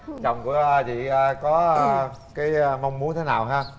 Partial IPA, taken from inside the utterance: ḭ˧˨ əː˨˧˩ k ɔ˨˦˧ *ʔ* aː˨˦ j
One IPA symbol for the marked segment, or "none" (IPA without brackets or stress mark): k